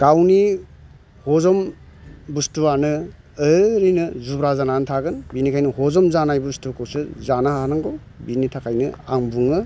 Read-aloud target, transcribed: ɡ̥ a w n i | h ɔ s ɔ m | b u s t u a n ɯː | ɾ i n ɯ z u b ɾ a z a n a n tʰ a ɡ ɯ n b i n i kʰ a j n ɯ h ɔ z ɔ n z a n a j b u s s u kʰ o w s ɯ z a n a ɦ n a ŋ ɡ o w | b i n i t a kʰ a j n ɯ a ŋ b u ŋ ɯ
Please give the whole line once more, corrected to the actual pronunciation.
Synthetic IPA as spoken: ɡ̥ a w n i | h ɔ z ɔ m | b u s t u a n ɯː | ɾ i n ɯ z u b ɾ a z a n a n tʰ a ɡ ɯ n b i n i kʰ a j n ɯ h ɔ z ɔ m z a n a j b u s t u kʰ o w s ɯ z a n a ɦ n a ŋ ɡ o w | b i n i tʰ a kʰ a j n ɯ a ŋ b u ŋ ɯ